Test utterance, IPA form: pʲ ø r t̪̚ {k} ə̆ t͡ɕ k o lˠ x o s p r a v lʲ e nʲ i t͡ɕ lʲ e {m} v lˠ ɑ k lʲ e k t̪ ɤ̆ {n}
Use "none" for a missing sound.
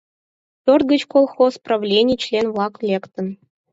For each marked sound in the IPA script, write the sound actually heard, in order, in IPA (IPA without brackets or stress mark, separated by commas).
ɡ, n, n